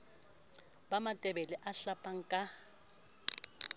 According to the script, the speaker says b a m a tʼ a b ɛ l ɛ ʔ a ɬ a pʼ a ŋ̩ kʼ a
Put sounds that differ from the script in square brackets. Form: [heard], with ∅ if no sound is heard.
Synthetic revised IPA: b a m a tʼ [ɛ] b ɛ l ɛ ʔ a ɬ a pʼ a ŋ̩ kʼ a